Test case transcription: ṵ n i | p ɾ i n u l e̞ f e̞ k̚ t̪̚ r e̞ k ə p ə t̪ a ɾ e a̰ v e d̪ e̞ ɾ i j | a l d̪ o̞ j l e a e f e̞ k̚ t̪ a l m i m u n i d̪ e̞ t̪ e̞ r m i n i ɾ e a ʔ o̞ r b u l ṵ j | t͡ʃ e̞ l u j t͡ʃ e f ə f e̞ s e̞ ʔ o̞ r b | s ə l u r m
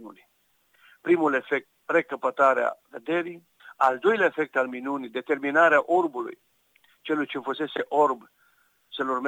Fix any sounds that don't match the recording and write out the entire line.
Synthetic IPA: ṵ n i | p ɾ i m u l e̞ f e̞ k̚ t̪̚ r e̞ k ə p ə t̪ a ɾ e a̰ v e d̪ e̞ ɾ i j | a l d̪ o̞ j l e a e f e̞ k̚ t̪ a l m i n u n i d̪ e̞ t̪ e̞ r m i n a ɾ e a ʔ o̞ r b u l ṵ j | t͡ʃ e̞ l u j t͡ʃ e f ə s e̞ s e̞ ʔ o̞ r b | s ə l u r m